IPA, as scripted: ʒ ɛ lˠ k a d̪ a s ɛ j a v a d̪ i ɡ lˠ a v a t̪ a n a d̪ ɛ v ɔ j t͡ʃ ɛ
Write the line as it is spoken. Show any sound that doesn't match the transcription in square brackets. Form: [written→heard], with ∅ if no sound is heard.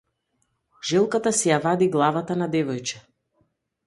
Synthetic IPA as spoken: ʒ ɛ lˠ k a [d̪→t̪] a s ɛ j a v a d̪ i ɡ lˠ a v a t̪ a n a d̪ ɛ v ɔ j t͡ʃ ɛ

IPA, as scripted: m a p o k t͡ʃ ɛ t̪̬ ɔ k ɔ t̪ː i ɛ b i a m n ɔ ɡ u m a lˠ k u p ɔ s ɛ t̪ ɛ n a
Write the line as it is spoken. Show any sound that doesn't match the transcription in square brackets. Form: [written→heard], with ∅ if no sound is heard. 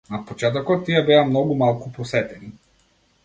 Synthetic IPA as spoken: [m→n] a p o [k→∅] t͡ʃ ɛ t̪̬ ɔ k ɔ t̪ː i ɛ b [i→ɛ] a m n ɔ ɡ u m a lˠ k u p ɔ s ɛ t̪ ɛ n [a→i]

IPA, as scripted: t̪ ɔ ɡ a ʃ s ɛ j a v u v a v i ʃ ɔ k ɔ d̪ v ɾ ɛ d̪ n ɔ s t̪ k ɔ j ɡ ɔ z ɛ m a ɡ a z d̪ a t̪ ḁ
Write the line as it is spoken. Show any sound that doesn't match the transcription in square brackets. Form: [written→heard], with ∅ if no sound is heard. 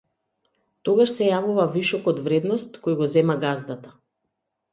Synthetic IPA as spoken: t̪ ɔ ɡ a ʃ s ɛ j a v u v a v i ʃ ɔ k ɔ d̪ v ɾ ɛ d̪ n ɔ s t̪ k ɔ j ɡ ɔ z ɛ m a ɡ a z d̪ a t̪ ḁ

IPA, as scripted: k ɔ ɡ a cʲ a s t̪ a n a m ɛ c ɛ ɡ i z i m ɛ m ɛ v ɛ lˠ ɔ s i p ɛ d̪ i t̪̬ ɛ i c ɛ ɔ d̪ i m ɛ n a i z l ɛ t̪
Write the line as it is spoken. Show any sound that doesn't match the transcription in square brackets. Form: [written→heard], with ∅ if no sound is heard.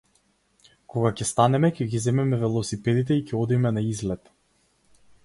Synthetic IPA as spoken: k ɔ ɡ a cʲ [a→ɛ] s t̪ a n [a→ɛ] m ɛ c ɛ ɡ i z [i→ɛ] m ɛ m ɛ v ɛ lˠ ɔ s i p ɛ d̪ i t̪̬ ɛ i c ɛ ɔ d̪ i m ɛ n a i z l ɛ t̪

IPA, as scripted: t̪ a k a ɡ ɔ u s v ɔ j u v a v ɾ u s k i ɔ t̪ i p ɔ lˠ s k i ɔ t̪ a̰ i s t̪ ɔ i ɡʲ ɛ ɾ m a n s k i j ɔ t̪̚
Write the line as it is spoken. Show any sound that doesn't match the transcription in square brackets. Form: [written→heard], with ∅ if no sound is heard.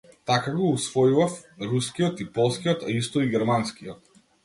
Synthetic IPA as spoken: t̪ a k a ɡ ɔ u s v ɔ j u v a [v→f] ɾ u s k i ɔ t̪ i p ɔ lˠ s k i ɔ t̪ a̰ i s t̪ ɔ i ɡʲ ɛ ɾ m a n s k i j ɔ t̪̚

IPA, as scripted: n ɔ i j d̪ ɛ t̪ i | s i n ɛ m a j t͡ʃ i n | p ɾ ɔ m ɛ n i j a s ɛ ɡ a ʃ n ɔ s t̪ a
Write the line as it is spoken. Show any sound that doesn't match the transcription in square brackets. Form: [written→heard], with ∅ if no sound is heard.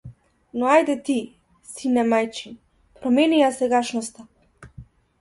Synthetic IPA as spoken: n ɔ [i→a] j d̪ ɛ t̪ i | s i n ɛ m a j t͡ʃ i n | p ɾ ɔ m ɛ n i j a s ɛ ɡ a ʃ n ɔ s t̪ a

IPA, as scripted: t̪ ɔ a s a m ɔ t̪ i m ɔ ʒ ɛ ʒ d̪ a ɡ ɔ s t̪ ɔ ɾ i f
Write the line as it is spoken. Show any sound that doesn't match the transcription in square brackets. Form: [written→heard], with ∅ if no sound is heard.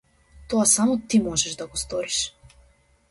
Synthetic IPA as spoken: t̪ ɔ a s a m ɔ t̪ i m ɔ ʒ ɛ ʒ d̪ a ɡ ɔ s t̪ ɔ ɾ i [f→ʃ]

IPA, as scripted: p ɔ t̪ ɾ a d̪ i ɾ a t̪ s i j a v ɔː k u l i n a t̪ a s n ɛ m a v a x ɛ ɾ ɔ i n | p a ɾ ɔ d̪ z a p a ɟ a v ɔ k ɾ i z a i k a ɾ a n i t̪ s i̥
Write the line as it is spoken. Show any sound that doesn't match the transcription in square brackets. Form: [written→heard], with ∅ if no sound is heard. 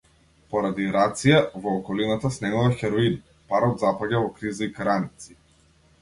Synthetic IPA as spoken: p ɔ [t̪→∅] ɾ a d̪ i ɾ a t̪ s i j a v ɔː k [u→ɔ] l i n a t̪ a s n ɛ m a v a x ɛ ɾ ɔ i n | p a ɾ ɔ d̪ z a p a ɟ a v ɔ k ɾ i z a i k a ɾ a n i t̪ s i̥

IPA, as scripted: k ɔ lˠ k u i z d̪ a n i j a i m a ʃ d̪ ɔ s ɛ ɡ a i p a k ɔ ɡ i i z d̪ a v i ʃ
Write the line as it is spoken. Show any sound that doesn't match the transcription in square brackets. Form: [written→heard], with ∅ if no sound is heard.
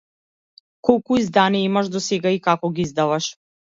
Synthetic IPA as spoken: k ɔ lˠ k u i z d̪ a n i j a i m a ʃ d̪ ɔ s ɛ ɡ a i [p→k] a k ɔ ɡ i i z d̪ a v [i→a] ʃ

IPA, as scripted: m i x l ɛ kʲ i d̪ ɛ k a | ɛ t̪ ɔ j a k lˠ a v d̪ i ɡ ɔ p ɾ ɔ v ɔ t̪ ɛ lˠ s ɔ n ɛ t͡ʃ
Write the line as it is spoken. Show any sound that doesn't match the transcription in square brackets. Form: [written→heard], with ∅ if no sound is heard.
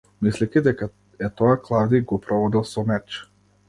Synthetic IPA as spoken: m i [x→s] l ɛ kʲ i d̪ ɛ k a | ɛ t̪ ɔ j a k lˠ a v d̪ i ɡ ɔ p ɾ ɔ v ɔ [t̪→d̪] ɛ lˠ s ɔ [n→m] ɛ t͡ʃ

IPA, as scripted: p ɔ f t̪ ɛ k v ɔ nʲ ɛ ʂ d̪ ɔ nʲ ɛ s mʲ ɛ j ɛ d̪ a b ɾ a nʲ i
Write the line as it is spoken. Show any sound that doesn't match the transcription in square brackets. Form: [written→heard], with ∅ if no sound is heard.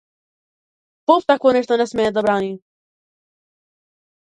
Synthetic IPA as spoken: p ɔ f t̪ [ɛ→a] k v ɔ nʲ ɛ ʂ [d̪→t̪] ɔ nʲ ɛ s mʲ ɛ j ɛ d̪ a b ɾ a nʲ i

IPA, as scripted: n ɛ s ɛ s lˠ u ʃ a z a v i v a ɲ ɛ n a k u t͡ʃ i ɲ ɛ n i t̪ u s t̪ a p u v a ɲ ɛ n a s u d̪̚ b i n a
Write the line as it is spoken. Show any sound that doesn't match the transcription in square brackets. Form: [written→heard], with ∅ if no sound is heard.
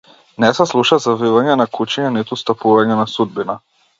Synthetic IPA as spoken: n ɛ s ɛ s lˠ u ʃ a z a v i v a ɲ ɛ n a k u t͡ʃ i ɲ ɛ n i t̪ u s t̪ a p u v a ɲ ɛ n a s u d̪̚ b i n a

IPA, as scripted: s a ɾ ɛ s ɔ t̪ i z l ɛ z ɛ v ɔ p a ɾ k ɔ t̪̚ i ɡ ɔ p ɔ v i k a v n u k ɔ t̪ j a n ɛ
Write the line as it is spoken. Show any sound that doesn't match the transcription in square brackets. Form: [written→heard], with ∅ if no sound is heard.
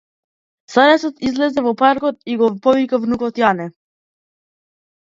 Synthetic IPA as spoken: s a ɾ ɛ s ɔ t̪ i z l ɛ z ɛ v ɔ p a ɾ k ɔ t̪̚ i ɡ ɔ p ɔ v i k a v n u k ɔ t̪ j a n ɛ

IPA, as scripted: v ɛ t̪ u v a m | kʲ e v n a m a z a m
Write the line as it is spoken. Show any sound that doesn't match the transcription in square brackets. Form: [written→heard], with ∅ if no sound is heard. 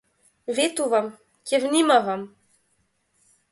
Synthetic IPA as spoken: v [ɛ→e] t̪ u v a m | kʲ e v n [a→i] m a [z→v] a m

